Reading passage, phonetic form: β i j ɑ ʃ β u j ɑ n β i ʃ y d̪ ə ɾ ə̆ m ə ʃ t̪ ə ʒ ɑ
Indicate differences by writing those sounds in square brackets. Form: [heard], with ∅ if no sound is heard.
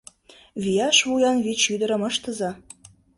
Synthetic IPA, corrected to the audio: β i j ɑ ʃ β u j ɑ n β i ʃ y d̪ ə ɾ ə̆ m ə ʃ t̪ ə [z] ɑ